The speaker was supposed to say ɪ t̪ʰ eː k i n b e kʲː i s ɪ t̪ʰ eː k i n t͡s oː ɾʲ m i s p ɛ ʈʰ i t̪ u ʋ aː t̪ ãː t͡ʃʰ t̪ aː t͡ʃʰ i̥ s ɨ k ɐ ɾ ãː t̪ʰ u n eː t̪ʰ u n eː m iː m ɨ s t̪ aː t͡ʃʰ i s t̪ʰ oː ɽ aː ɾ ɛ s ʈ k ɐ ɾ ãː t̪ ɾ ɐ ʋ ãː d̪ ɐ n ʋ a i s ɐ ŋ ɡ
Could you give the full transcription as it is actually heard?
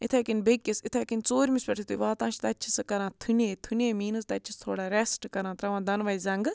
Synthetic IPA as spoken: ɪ t̪ʰ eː k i n b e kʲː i s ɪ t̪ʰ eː k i n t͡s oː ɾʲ m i s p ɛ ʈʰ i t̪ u ʋ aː t̪ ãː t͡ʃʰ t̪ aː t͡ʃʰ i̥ s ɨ k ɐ ɾ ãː t̪ʰ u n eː t̪ʰ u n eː m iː n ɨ s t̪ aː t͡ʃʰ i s t̪ʰ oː ɽ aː ɾ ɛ s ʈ k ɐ ɾ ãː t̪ ɾ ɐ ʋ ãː d̪ ɐ n ʋ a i z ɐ ŋ ɡ